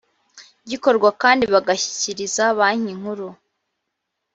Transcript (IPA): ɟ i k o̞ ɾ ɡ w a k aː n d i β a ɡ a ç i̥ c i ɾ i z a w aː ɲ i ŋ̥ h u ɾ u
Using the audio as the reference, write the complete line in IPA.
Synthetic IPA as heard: ɟ i k o̞ ɾ ɡ w a k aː n d i β a ɡ a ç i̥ c i ɾ i z a β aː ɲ i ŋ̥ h u ɾ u